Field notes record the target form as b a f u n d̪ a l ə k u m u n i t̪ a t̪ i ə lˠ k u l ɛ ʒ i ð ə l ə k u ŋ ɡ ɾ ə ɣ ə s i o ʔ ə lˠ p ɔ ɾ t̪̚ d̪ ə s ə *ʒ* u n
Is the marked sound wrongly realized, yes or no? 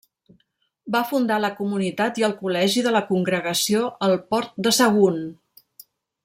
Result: yes